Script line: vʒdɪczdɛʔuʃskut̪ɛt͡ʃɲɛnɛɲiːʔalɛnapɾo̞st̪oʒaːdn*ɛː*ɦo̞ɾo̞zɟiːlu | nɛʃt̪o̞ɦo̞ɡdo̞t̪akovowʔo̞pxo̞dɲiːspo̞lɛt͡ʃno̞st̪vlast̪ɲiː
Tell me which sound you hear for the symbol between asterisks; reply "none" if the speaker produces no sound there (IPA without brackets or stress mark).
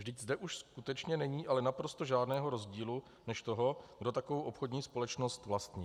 ɛː